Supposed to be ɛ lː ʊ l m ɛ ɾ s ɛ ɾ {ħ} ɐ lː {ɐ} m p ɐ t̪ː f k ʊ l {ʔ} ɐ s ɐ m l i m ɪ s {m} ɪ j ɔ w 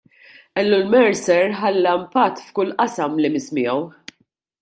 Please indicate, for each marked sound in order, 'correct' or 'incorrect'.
correct, correct, correct, correct

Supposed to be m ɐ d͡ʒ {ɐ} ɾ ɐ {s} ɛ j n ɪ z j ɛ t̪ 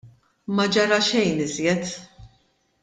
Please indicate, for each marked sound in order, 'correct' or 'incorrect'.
correct, incorrect: ʃ

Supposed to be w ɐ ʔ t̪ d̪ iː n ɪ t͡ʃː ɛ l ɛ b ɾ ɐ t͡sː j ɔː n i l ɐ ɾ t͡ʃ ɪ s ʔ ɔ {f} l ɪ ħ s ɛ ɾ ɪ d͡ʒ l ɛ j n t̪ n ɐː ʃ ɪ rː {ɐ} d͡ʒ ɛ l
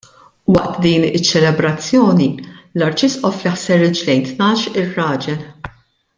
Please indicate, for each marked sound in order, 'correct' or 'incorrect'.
correct, incorrect: ɐː

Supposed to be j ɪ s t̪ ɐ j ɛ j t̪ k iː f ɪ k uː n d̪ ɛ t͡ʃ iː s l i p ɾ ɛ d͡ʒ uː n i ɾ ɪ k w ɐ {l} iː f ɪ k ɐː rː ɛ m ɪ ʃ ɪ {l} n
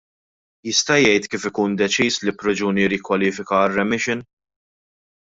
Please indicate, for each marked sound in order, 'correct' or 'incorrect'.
correct, incorrect: none

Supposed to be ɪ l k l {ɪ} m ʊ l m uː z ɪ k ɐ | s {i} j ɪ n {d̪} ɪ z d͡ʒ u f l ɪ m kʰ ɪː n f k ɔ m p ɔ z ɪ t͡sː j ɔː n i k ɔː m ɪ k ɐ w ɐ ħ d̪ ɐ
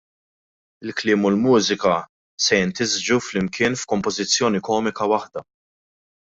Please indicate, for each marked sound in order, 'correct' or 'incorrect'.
incorrect: ɪː, incorrect: ɛ, incorrect: t̪

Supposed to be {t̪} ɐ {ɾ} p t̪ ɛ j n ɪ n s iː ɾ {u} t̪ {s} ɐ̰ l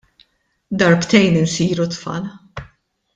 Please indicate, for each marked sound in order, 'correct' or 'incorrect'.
incorrect: d̪, correct, correct, incorrect: f

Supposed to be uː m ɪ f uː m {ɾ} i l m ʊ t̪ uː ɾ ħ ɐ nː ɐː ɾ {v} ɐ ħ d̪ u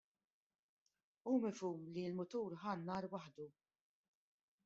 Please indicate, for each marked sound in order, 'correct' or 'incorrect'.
incorrect: l, incorrect: w

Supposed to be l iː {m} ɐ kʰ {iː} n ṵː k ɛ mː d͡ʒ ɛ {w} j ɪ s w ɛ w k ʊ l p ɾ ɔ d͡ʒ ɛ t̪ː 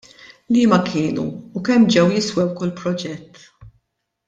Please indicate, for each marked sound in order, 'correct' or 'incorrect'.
correct, incorrect: ɪː, correct

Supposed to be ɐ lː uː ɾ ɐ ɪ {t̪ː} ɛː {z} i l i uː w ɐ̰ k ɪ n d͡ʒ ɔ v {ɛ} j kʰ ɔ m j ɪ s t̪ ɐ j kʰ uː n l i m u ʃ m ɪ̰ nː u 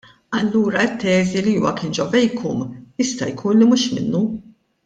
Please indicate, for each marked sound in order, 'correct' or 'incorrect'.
correct, correct, correct

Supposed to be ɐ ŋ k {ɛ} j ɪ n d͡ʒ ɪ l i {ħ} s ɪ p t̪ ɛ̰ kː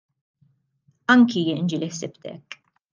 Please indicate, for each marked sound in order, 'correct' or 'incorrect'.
incorrect: i, correct

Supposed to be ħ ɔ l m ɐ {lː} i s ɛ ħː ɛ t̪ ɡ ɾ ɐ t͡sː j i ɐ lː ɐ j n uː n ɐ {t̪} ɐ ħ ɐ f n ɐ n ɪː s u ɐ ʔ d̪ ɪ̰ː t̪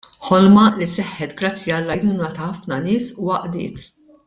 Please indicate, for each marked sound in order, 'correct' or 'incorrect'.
incorrect: l, correct

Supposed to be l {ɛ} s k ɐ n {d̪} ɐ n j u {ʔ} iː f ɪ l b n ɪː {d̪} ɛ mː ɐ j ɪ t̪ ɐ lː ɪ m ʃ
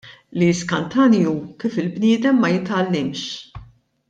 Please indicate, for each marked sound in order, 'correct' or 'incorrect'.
incorrect: i, incorrect: t̪, incorrect: k, correct

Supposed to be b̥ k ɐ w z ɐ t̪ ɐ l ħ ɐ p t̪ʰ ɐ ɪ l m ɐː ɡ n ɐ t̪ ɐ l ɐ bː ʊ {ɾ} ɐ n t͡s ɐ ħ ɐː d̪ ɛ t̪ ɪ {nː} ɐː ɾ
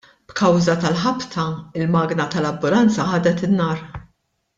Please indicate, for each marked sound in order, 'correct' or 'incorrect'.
incorrect: l, correct

